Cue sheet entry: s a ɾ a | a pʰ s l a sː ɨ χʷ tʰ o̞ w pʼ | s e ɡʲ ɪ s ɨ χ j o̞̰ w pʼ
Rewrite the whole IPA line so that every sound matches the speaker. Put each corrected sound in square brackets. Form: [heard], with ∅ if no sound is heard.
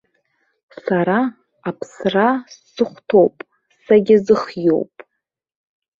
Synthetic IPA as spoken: s a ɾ a | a pʰ s [r] a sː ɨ χʷ tʰ o̞ w pʼ | s [a] ɡʲ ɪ [z] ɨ χ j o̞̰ w pʼ